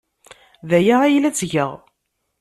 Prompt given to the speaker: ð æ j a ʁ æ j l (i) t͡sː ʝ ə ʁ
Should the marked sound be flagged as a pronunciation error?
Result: yes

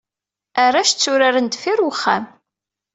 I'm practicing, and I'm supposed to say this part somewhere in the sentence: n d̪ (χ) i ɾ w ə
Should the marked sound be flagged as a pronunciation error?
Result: yes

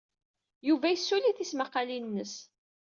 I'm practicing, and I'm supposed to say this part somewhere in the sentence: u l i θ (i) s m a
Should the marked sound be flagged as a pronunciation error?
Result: no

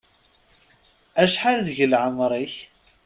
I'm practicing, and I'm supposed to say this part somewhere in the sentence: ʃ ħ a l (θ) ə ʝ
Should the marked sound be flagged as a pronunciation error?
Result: yes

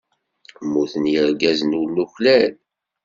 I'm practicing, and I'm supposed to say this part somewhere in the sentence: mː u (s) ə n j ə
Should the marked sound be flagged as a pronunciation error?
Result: yes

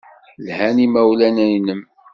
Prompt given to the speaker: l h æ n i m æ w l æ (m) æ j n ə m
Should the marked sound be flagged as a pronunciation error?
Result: yes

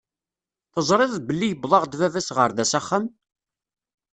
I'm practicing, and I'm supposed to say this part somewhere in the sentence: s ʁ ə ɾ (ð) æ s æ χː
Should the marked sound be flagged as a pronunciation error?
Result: no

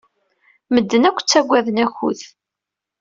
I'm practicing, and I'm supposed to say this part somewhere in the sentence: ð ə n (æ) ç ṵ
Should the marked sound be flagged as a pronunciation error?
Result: no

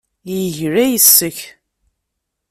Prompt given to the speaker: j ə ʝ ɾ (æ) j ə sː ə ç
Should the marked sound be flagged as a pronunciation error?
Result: no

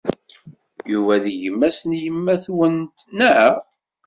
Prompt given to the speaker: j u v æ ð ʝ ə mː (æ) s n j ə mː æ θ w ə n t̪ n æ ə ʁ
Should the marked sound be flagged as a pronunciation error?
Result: no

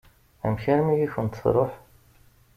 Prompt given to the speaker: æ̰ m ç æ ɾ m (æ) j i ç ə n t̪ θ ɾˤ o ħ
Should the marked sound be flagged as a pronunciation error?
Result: yes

